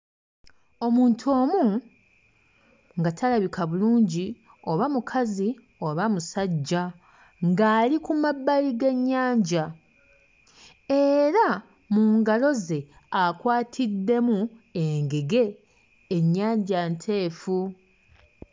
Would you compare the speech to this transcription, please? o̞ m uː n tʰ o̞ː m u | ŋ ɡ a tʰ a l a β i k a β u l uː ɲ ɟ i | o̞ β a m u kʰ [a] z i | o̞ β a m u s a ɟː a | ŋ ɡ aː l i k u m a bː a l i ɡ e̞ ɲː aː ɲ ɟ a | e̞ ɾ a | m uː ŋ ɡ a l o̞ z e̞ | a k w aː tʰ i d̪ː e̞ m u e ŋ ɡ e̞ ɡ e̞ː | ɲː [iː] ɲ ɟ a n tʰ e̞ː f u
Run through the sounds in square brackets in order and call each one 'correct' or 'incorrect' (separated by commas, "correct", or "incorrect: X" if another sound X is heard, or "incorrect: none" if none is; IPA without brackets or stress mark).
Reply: correct, incorrect: aː